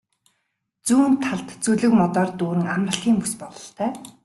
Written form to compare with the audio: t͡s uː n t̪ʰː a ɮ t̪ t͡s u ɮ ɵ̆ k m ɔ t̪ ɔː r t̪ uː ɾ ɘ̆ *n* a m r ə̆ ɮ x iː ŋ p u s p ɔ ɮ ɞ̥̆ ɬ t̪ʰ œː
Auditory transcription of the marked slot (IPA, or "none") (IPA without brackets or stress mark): ŋ